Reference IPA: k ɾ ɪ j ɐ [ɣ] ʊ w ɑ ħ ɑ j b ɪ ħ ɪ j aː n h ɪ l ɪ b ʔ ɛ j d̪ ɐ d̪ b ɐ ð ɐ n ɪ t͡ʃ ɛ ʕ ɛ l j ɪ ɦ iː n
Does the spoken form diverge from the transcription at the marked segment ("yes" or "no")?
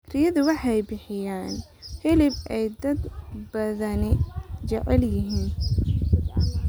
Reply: yes